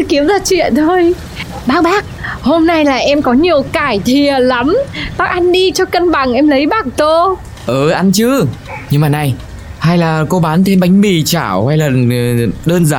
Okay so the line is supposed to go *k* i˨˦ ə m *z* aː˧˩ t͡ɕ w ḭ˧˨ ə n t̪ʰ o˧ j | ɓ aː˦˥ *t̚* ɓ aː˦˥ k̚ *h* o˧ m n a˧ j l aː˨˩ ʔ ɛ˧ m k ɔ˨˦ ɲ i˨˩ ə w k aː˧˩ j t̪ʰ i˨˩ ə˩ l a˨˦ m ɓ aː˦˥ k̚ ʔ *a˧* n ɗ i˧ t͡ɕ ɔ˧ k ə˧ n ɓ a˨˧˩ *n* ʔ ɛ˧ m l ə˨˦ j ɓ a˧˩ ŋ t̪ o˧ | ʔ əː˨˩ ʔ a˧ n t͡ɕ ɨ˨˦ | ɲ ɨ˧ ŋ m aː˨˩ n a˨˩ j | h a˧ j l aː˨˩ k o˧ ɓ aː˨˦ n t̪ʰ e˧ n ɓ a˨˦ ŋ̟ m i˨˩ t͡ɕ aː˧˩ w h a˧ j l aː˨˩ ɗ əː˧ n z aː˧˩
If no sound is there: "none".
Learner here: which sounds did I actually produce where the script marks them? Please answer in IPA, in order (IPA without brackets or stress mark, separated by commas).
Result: k, z, k̚, h, a˧, ŋ